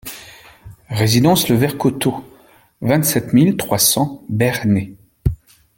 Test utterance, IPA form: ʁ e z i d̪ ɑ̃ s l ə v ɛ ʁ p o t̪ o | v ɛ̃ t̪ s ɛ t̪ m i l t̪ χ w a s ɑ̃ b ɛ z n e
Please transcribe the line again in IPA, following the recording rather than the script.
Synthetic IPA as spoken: ʁ e z i d̪ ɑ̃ s l ə v ɛ ʁ k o t̪ o | v ɛ̃ t̪ s ɛ t̪ m i l t̪ χ w a s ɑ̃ b ɛ ʁ n e

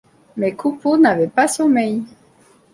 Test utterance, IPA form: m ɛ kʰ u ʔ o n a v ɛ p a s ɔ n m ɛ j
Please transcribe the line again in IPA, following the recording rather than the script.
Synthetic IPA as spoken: m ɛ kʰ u p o n a v ɛ p a s ɔ m ɛ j

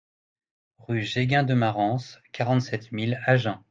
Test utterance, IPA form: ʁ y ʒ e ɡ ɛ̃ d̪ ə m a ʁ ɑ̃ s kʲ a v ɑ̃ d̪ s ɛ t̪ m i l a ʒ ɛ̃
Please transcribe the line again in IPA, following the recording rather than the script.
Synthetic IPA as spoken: ʁ y ʒ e ɡ ɛ̃ d̪ ə m a ʁ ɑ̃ s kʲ a ʁ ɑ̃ t̪ s ɛ t̪ m i l a ʒ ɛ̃

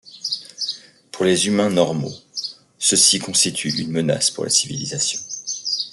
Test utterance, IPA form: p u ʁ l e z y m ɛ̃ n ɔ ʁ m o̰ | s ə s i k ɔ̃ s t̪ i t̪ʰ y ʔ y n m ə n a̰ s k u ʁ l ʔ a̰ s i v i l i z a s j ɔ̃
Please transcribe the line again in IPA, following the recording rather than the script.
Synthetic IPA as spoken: p u ʁ l e z y m ɛ̃ n ɔ ʁ m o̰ | s ə s i k ɔ̃ s t̪ i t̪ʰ y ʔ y n m ə n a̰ s p u ʁ l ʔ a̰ s i v i l i z a s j ɔ̃

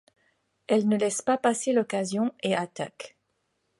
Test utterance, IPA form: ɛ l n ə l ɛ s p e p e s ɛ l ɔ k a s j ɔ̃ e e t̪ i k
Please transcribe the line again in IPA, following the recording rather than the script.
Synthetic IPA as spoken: ɛ l n ə l ɛ s p a p a s e l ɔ k a z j ɔ̃ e a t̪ a k

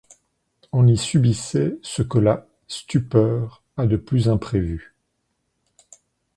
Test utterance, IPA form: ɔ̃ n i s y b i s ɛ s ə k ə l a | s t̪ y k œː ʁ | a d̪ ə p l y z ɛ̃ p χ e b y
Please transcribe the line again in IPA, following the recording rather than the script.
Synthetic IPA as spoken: ɔ̃ n i s y b i s ɛ s ə k ə l a | s t̪ y p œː ʁ | a d̪ ə p l y z ɛ̃ p χ e v y

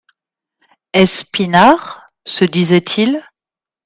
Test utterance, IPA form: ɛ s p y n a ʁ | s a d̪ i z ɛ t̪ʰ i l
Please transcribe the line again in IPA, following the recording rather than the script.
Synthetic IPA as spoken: ɛ s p i n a ʁ | s ə d̪ i z ɛ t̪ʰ i l

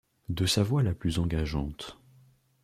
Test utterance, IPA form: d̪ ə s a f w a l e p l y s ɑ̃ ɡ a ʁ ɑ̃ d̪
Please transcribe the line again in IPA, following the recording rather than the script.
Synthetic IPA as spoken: d̪ ə s a v w a l a p l y z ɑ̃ ɡ a ʒ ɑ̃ t̪

